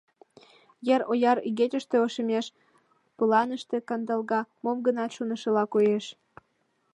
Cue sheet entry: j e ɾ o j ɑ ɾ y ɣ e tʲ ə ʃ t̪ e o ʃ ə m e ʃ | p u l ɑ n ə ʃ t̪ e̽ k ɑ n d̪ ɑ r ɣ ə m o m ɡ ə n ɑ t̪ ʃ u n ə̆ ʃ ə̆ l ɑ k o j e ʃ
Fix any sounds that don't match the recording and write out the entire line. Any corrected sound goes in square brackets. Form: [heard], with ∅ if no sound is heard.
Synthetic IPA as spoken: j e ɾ o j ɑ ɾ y ɣ e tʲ ə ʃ t̪ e o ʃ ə m e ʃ | p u l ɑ n ə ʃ t̪ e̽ k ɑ n d̪ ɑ [l] ɣ [ɑ] m o m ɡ ə n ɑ t̪ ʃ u n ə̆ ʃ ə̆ l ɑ k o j e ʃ